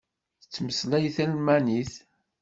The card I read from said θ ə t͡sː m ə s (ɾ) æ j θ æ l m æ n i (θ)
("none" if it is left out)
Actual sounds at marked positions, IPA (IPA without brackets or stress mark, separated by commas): l, θ